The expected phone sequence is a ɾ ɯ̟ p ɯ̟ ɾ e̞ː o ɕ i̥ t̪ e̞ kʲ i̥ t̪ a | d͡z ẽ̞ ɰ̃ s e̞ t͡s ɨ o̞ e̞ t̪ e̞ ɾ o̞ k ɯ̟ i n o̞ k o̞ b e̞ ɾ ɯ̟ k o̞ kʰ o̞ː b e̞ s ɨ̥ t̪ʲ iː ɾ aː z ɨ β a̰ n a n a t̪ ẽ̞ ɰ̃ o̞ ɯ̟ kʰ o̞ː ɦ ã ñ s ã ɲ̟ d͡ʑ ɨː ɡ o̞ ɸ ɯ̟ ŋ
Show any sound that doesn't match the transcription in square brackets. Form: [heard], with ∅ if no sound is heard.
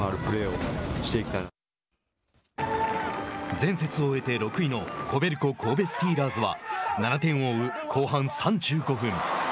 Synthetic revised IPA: a ɾ ɯ̟ p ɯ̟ ɾ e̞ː o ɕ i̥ t̪ e̞ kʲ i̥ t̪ a | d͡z ẽ̞ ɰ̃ s e̞ t͡s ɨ o̞ e̞ t̪ e̞ ɾ o̞ k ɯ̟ i n o̞ k o̞ b e̞ ɾ ɯ̟ k o̞ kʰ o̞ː b e̞ s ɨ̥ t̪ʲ iː ɾ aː z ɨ β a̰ n a n a t̪ ẽ̞ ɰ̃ o̞ ɯ̟ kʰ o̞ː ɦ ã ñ s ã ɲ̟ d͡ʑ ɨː ɡ o̞ ɸ [ɯ̟̃] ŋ

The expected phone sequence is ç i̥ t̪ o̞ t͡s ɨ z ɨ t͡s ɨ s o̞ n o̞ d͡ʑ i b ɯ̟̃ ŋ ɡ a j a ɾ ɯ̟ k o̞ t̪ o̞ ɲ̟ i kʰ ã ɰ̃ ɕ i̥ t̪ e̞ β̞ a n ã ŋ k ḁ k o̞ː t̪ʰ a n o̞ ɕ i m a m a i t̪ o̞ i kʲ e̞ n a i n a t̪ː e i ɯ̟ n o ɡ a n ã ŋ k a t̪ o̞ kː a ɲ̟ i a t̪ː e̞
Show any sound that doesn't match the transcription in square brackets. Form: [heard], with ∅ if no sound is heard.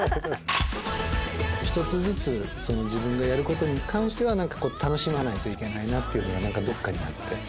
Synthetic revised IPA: ç i̥ t̪ o̞ t͡s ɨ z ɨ t͡s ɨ s o̞ n o̞ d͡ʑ i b ɯ̟̃ ŋ ɡ a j a ɾ ɯ̟ k o̞ t̪ o̞ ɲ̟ i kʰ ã ɰ̃ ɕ i̥ t̪ e̞ β̞ a n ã ŋ k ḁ k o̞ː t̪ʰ a n o̞ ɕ i m a [n] a i t̪ o̞ i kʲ e̞ n a i n a t̪ː e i ɯ̟ n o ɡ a n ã ŋ k a [d̪] o̞ kː a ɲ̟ i a t̪ː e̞

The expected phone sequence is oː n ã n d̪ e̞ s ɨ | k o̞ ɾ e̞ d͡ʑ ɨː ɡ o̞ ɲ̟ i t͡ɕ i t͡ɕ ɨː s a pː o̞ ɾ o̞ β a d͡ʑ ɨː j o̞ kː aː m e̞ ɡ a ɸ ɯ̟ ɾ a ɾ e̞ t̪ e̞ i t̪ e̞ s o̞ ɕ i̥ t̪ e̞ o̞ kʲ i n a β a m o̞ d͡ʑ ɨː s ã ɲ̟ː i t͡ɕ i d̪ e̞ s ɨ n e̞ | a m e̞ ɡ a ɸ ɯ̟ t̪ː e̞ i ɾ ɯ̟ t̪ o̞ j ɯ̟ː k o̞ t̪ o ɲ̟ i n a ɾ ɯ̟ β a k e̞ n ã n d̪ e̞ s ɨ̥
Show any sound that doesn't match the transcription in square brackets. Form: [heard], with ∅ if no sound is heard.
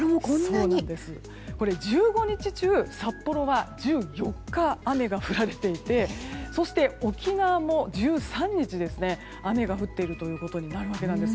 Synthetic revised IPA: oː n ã n d̪ e̞ s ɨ | k o̞ ɾ e̞ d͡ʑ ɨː ɡ o̞ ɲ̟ i t͡ɕ i t͡ɕ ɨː s a pː o̞ ɾ o̞ β a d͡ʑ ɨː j o̞ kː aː m e̞ ɡ a ɸ ɯ̟ ɾ a ɾ e̞ t̪ e̞ i t̪ e̞ s o̞ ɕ i̥ t̪ e̞ o̞ kʲ i n a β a m o̞ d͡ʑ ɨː s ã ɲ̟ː i t͡ɕ i d̪ e̞ s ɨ n e̞ | a m e̞ ɡ a ɸ ɯ̟ t̪ː e̞ i ɾ ɯ̟ t̪ o̞ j ɯ̟ː k o̞ t̪ o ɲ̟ i n a ɾ ɯ̟ β a k e̞ n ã n d̪ e̞ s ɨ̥

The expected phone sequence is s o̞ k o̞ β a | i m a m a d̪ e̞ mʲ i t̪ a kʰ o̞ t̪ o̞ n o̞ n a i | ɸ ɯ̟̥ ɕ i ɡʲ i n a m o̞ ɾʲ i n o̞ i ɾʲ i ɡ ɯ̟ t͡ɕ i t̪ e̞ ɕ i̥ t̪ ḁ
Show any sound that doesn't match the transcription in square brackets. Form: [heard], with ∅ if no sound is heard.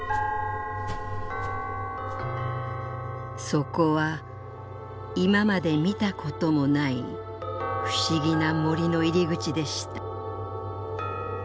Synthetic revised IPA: s o̞ k o̞ β a | i m a m a d̪ e̞ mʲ i t̪ a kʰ o̞ t̪ o̞ [m] o̞ n a i | ɸ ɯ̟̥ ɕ i ɡʲ i n a m o̞ ɾʲ i n o̞ i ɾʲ i ɡ ɯ̟ t͡ɕ i [d̪] e̞ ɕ i̥ t̪ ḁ

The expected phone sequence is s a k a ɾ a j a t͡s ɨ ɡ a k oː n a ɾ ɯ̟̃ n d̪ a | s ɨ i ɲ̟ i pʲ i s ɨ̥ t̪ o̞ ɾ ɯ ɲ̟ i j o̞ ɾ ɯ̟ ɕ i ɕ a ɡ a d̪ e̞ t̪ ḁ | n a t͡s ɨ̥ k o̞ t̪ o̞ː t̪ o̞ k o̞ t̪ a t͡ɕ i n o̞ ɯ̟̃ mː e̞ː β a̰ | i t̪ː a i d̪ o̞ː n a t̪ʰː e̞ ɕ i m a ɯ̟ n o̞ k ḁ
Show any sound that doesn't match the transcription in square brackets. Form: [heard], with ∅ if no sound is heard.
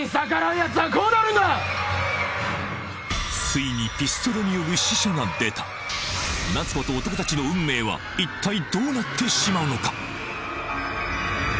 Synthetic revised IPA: s a k a ɾ a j a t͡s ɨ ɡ a k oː n a ɾ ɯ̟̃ n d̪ a | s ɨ i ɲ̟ i pʲ i s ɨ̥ t̪ o̞ ɾ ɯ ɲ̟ i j o̞ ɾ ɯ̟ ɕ i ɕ a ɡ a d̪ e̞ t̪ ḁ | n a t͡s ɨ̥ k o̞ t̪ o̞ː t̪ o̞ k o̞ t̪ a t͡ɕ i n o̞ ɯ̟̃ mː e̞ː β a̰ | i t̪ː a i d̪ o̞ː n a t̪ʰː e̞ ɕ i m a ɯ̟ n o̞ k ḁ

